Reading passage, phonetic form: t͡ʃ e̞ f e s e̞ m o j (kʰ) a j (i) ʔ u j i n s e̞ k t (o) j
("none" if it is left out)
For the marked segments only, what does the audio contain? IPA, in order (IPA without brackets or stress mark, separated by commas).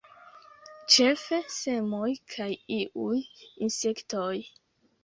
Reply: kʰ, i, o